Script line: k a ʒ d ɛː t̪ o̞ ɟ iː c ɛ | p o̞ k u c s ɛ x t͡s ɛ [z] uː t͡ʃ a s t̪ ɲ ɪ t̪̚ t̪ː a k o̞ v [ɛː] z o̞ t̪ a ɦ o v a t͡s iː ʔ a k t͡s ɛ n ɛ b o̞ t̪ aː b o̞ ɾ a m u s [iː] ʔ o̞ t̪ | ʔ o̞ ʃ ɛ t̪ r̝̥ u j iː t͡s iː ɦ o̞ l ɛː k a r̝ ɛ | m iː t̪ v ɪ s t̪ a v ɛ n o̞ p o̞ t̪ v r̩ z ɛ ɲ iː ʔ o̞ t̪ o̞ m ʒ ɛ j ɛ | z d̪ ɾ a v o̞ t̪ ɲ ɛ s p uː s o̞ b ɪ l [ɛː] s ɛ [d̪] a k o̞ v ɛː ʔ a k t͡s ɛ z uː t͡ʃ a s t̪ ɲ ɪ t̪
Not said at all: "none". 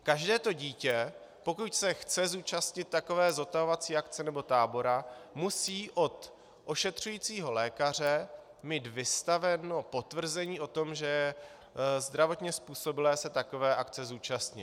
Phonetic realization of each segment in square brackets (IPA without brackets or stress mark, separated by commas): z, ɛː, iː, ɛː, t̪